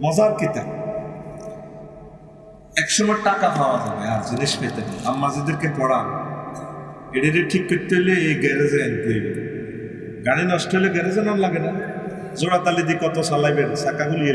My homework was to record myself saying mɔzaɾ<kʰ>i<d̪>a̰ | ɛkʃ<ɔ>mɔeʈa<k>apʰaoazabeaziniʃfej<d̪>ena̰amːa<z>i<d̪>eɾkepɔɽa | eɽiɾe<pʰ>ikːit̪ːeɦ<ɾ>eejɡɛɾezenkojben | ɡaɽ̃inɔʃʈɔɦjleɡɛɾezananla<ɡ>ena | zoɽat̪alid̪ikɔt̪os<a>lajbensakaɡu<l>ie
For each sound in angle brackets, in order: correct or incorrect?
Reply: incorrect: k, incorrect: t̪, correct, correct, incorrect: t̪, correct, correct, incorrect: ʈʰ, incorrect: l, correct, correct, correct

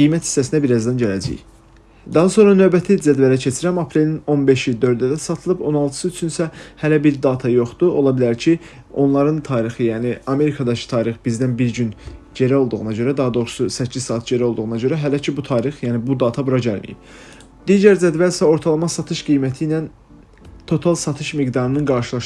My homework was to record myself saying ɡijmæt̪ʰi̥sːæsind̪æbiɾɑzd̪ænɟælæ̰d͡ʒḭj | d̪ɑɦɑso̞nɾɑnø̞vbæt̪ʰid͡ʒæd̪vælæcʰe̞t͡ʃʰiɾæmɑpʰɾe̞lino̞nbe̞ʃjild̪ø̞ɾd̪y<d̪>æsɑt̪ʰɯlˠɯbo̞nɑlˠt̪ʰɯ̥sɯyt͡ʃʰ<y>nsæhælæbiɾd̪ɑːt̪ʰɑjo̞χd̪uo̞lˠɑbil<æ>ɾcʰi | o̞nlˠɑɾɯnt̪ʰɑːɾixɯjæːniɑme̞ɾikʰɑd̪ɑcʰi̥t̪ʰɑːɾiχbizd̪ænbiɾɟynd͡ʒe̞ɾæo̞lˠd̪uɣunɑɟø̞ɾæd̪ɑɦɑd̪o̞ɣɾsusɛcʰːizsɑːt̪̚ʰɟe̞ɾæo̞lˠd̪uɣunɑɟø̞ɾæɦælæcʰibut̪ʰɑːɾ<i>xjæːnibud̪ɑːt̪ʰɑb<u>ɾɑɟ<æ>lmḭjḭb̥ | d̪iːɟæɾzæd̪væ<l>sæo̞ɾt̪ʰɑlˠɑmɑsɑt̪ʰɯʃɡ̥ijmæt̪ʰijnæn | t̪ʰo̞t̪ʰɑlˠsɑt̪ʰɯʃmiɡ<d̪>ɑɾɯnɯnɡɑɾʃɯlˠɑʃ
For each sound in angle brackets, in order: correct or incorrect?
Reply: correct, correct, correct, correct, correct, correct, correct, correct

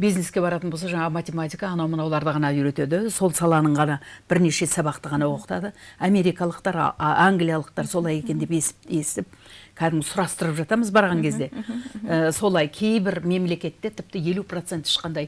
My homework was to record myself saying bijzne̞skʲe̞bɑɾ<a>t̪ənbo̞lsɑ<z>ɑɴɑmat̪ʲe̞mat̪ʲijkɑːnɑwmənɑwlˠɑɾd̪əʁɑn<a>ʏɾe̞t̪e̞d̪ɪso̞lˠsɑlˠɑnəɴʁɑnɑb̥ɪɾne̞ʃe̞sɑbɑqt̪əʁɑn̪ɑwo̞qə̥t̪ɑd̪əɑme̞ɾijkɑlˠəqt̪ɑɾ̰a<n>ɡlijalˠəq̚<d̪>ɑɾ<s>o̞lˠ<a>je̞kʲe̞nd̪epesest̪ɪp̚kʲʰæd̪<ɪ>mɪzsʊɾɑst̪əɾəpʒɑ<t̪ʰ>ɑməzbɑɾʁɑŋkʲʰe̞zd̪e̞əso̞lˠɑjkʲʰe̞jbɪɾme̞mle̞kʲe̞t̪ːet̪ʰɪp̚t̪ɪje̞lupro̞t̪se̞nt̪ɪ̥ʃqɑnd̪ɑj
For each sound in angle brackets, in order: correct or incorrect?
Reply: incorrect: ɑ, incorrect: ʒ, incorrect: ɑ, incorrect: ŋ, incorrect: t̪, correct, incorrect: ɑ, correct, incorrect: t̪

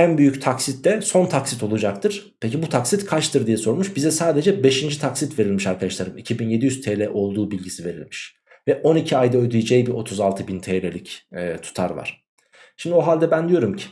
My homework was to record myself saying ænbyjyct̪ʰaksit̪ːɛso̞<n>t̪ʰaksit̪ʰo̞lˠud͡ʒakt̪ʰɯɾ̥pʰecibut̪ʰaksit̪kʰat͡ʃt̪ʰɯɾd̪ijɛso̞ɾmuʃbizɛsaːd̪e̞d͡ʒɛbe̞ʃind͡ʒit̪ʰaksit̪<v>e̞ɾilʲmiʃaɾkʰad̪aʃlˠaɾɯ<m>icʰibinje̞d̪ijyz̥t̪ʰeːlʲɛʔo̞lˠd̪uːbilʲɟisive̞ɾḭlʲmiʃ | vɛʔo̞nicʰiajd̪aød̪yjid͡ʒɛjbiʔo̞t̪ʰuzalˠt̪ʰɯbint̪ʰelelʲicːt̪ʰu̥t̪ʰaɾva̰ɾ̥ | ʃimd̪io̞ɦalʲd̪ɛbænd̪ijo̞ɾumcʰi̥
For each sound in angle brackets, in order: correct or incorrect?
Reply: correct, correct, correct

